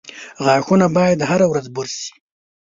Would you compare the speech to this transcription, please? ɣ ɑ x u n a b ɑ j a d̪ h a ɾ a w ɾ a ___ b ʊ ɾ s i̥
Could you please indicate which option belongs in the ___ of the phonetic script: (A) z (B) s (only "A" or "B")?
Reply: A